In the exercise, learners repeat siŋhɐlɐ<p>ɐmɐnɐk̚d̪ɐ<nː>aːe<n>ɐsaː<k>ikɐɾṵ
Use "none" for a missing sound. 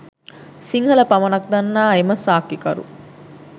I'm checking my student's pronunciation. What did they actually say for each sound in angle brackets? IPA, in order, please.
p, nː, m, k

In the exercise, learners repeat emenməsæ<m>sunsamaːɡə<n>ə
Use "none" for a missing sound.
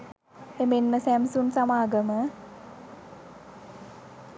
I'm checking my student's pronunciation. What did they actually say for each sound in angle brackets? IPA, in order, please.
m, m

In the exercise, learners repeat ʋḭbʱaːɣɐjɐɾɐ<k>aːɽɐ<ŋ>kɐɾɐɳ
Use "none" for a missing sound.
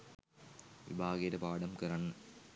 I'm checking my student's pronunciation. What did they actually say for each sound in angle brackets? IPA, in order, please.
p, m

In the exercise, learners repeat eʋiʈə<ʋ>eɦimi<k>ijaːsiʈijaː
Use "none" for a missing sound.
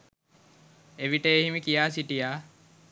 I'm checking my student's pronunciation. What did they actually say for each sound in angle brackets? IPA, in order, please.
none, k

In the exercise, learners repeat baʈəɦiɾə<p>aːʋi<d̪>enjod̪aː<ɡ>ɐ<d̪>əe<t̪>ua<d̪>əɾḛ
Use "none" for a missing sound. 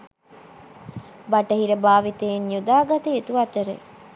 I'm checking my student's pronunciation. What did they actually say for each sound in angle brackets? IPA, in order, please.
b, t̪, ɡ, t̪, t̪, t̪

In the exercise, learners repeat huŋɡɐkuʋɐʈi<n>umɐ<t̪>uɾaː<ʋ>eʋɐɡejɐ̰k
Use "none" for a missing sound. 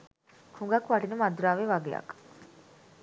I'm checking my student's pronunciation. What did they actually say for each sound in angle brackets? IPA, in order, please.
n, d̪, ʋ

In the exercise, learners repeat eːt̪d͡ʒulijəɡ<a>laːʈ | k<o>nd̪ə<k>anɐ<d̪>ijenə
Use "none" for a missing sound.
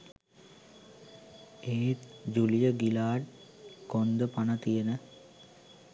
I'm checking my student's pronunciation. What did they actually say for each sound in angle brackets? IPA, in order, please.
i, o, p, t̪

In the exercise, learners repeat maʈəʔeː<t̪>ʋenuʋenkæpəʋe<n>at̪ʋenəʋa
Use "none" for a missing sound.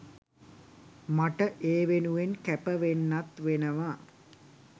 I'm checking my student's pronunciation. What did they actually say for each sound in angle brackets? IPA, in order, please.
none, nː

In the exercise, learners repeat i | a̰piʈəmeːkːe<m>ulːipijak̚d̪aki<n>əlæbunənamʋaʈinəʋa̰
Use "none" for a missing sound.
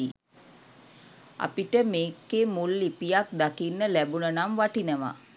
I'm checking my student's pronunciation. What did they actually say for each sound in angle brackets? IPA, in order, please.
m, nː

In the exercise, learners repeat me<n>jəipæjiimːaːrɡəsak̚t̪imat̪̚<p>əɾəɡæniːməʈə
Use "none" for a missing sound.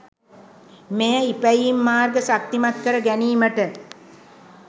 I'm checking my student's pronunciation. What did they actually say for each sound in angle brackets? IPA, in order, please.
none, k

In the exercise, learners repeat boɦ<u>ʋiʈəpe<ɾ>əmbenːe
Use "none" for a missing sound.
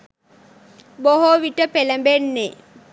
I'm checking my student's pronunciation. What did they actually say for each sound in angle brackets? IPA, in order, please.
o, l

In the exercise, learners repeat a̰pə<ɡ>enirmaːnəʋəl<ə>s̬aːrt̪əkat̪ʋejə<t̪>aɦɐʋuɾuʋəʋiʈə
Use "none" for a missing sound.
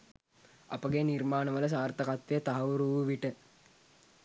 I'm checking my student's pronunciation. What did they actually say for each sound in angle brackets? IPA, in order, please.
ɡ, ə, t̪

